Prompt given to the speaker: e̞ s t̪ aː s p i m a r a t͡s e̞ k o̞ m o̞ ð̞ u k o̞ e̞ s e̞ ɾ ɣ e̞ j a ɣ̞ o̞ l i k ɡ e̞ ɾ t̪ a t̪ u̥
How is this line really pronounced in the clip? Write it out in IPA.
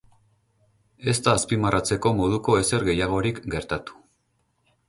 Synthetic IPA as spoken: e̞ s t̪ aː s p i m a r a t͡s e̞ k o̞ m o̞ ð̞ u k o̞ e̞ s e̞ ɾ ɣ e̞ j a ɣ̞ o̞ ɾ i k ɡ e̞ ɾ t̪ a t̪ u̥